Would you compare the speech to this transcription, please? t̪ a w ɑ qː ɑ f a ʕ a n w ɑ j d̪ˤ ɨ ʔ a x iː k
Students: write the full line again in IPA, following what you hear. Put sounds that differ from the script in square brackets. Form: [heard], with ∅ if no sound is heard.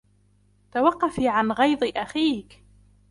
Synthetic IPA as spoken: t̪ a w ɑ qː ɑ f [i] ʕ a n [ɣ] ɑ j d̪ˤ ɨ ʔ a x iː k